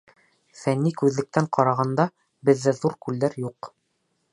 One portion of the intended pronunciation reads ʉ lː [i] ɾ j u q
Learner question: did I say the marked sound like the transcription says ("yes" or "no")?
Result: no